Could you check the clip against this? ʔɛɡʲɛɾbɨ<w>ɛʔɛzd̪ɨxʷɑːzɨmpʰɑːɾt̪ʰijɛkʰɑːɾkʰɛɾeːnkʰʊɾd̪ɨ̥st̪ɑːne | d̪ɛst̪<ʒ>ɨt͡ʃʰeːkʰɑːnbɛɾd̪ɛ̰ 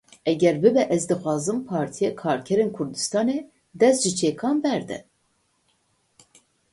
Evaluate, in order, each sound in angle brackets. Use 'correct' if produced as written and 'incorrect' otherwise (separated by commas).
incorrect, correct